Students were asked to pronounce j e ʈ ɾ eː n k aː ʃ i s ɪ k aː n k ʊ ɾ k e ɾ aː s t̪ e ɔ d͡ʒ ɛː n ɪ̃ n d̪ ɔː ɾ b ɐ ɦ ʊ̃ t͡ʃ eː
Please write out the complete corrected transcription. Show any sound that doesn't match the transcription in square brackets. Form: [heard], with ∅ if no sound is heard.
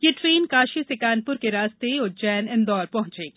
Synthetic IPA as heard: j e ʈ ɾ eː n k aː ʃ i s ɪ k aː n [p] ʊ ɾ k e ɾ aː s t̪ e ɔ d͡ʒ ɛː n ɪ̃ n d̪ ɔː ɾ [p] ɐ ɦ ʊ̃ t͡ʃ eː